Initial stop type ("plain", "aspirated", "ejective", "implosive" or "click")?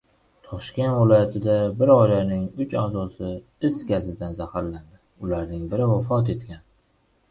aspirated